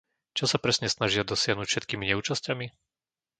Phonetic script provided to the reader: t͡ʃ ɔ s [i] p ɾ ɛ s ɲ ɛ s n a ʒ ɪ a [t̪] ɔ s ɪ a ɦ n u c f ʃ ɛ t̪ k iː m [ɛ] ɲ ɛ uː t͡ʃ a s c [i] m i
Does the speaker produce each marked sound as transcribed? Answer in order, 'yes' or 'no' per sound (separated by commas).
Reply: no, no, no, no